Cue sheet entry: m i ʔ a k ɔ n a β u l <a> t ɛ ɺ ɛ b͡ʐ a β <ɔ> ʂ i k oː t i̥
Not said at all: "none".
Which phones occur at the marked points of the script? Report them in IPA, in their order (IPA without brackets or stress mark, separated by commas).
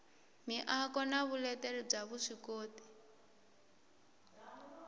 ɛ, u